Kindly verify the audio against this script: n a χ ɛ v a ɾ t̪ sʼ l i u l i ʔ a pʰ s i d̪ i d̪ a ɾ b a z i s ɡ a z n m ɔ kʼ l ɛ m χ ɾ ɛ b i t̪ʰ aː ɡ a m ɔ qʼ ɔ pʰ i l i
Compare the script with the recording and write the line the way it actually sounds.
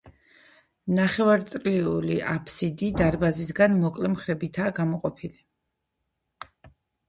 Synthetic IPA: n a χ ɛ v a ɾ t̪ sʼ l i u l i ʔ a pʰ s i d̪ i d̪ a ɾ b a z i s ɡ a n m ɔ kʼ l ɛ m χ ɾ ɛ b i t̪ʰ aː ɡ a m ɔ qʼ ɔ pʰ i l i